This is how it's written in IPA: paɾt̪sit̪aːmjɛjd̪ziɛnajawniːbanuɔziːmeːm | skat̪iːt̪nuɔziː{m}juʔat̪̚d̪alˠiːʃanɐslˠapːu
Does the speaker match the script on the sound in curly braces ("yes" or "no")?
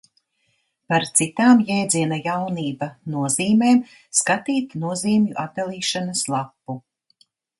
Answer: yes